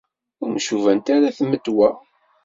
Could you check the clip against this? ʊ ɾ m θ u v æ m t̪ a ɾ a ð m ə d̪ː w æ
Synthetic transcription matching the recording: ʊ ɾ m ʃ u v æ n t̪ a ɾ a θ m ə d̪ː w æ